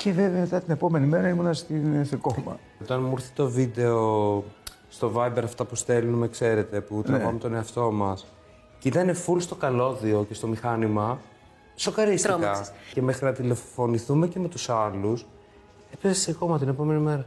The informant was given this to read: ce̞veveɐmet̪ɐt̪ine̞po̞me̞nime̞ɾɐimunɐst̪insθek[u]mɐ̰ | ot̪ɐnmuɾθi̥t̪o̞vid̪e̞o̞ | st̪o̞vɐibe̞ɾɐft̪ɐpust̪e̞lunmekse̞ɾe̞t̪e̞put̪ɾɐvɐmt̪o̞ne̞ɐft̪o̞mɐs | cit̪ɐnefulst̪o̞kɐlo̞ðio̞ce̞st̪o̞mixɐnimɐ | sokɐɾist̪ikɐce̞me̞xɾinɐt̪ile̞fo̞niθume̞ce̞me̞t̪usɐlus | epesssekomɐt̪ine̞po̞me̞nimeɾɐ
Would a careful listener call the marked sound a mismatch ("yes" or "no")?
yes